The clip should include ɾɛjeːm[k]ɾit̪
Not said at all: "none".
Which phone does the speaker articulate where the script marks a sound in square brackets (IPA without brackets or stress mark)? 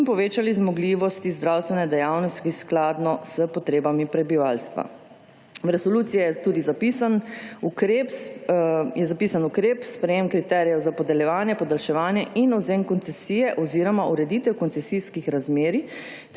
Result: k